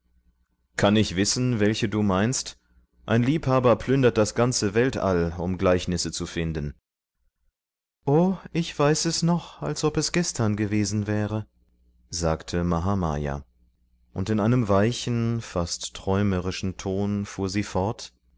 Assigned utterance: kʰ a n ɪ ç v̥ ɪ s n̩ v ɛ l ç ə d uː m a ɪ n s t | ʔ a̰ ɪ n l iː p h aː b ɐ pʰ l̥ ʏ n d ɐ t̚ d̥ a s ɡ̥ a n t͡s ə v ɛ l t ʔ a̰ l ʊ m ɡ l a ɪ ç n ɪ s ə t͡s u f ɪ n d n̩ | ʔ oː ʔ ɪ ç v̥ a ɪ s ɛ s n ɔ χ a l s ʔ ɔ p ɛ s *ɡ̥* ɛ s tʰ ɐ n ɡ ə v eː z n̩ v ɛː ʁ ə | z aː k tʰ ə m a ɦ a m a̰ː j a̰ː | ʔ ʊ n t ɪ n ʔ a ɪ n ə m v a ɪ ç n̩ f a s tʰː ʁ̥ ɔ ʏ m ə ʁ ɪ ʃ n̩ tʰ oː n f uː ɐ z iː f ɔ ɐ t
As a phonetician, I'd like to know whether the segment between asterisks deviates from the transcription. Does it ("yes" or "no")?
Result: no